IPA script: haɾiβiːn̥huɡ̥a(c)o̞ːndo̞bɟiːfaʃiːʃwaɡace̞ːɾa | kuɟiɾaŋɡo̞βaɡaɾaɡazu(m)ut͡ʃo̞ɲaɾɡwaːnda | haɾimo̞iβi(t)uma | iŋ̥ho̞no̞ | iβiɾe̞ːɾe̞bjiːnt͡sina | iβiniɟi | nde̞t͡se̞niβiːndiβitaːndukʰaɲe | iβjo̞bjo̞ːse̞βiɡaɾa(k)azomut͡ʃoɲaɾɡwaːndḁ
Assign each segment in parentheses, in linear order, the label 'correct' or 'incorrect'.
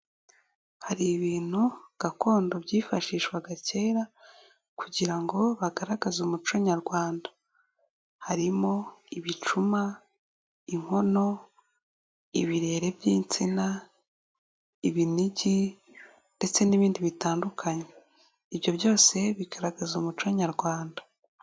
incorrect: k, correct, incorrect: t͡ʃ, incorrect: ɡ

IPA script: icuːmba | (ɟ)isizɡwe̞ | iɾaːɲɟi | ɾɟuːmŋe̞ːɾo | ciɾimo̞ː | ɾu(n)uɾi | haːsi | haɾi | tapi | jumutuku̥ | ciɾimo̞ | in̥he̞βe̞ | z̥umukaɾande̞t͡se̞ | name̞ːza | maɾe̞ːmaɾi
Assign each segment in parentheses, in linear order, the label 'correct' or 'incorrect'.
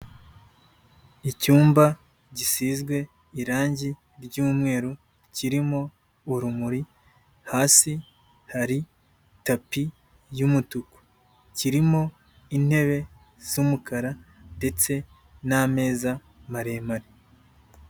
correct, incorrect: m

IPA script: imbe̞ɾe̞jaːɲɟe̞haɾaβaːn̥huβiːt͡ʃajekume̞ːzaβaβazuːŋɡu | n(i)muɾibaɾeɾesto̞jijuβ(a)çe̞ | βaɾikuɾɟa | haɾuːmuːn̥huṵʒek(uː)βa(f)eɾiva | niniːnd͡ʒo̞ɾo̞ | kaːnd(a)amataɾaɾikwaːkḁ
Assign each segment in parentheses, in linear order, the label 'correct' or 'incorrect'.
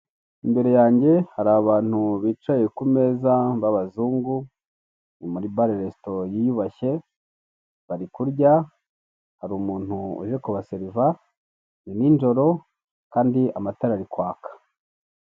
correct, correct, incorrect: u, incorrect: s, incorrect: i

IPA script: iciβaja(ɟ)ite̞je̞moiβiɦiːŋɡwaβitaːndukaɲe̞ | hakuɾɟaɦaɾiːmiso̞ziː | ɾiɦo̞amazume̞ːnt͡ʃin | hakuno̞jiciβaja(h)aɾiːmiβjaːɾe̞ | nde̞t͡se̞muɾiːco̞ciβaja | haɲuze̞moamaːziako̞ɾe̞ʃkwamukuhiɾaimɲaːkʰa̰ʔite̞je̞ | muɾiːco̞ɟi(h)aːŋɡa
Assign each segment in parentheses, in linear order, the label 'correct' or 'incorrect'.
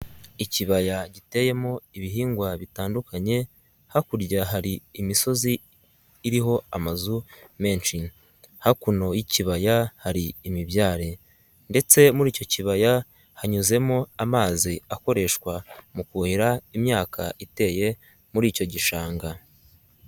correct, correct, incorrect: ʃ

